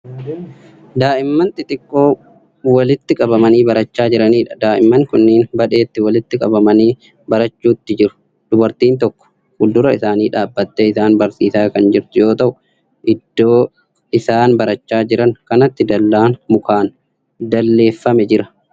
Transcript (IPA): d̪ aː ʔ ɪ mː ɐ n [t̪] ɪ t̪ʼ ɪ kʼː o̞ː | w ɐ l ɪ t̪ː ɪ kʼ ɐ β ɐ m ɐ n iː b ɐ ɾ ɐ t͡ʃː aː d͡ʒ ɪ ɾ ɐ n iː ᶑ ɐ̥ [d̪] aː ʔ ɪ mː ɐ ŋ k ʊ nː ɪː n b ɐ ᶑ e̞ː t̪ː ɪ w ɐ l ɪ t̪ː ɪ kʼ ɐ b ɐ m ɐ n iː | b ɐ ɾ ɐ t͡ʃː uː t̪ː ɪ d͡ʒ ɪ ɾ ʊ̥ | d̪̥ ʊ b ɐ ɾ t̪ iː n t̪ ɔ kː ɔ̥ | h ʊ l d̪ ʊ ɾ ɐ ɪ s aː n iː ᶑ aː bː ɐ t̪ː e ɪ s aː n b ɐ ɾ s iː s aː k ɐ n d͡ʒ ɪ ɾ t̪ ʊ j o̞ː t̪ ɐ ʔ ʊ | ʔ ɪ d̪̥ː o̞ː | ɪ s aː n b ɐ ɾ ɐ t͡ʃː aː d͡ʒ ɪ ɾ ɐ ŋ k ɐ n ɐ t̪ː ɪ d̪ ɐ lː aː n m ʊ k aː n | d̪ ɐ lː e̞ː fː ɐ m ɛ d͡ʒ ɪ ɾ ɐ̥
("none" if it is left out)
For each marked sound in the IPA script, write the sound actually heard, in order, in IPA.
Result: t̪, d̪

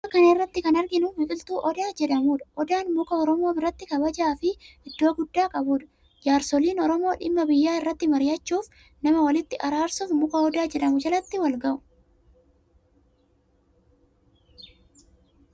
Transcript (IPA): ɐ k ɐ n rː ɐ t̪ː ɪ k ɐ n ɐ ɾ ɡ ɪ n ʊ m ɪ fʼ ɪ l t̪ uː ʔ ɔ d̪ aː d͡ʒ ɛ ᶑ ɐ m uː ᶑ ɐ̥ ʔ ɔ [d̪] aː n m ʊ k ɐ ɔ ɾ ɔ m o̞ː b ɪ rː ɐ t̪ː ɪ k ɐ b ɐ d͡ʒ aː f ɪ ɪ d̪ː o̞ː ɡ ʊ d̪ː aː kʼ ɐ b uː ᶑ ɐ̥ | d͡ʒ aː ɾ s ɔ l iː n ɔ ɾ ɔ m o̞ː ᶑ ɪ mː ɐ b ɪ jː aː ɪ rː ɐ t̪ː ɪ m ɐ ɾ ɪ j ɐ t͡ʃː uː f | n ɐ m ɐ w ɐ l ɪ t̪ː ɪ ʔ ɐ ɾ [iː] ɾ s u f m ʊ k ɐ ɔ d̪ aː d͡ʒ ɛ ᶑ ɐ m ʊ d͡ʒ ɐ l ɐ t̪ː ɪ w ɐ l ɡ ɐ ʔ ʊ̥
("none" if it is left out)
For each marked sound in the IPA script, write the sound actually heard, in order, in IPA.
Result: d̪, aː

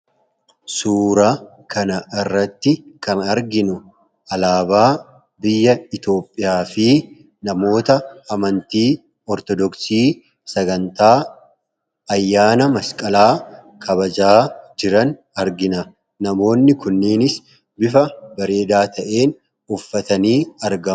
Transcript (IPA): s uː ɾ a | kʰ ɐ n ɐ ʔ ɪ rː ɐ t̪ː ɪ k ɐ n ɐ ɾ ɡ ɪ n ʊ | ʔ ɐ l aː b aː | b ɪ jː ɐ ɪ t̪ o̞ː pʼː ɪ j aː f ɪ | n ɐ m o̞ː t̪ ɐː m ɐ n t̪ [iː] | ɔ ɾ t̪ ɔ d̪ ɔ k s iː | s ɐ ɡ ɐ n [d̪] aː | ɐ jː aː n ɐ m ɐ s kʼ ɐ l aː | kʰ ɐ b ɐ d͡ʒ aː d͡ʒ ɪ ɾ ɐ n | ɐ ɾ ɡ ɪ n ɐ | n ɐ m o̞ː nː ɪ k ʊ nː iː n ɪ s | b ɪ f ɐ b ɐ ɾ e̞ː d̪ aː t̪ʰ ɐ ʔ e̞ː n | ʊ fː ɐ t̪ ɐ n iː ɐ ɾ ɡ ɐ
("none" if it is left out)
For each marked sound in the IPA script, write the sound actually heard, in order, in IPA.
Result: iː, t̪

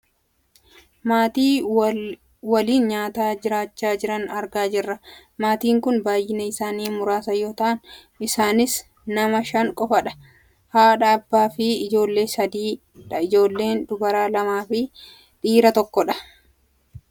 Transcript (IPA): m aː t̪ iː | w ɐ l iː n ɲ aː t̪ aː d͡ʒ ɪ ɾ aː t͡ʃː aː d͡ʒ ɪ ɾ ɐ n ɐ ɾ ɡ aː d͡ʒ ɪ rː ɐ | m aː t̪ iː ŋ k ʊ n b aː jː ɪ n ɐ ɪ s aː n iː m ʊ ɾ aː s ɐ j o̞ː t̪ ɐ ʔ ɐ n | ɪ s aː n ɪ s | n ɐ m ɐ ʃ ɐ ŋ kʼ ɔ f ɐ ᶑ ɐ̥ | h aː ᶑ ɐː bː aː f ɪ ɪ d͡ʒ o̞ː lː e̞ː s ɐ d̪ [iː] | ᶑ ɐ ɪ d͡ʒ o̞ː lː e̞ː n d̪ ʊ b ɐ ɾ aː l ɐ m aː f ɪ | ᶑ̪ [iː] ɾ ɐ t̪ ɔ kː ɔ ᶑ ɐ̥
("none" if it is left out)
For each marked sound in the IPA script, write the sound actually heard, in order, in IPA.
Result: iː, iː

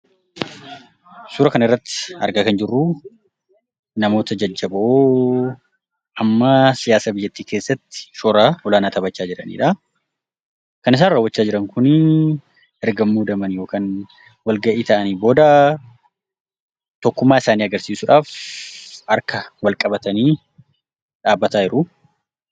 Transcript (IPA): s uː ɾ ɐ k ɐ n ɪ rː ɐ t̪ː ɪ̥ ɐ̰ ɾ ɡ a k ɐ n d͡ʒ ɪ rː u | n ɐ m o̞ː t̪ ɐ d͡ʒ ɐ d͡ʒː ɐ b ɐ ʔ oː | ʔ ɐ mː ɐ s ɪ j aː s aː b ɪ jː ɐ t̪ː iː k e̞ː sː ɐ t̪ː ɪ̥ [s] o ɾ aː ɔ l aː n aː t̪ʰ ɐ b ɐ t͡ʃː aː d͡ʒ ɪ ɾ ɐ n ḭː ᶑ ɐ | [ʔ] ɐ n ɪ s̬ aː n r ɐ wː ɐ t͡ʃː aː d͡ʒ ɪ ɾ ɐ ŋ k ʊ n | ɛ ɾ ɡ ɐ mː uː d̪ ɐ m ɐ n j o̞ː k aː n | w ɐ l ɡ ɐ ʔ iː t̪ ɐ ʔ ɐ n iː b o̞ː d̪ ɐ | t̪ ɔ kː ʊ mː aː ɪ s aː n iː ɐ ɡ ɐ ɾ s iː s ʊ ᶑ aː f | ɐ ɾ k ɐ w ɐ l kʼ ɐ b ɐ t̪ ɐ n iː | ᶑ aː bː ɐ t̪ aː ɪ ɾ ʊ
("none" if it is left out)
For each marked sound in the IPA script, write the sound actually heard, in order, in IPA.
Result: ʃ, k

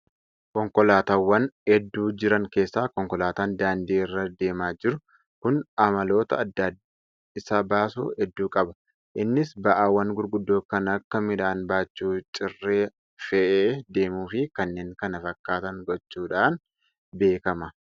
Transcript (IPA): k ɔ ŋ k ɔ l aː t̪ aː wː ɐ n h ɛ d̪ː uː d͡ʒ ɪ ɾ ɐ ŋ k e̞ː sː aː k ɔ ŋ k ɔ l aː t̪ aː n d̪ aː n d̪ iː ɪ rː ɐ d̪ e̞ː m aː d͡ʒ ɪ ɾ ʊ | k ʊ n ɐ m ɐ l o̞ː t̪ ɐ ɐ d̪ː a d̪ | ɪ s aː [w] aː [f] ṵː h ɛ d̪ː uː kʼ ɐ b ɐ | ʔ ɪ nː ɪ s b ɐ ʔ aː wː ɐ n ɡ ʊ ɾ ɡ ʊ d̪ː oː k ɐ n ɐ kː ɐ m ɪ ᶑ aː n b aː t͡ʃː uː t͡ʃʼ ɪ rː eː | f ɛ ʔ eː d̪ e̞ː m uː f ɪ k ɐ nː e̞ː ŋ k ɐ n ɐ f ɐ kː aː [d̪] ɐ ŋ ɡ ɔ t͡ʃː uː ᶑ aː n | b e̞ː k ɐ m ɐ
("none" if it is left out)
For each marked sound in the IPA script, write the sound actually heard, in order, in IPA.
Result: b, s, t̪

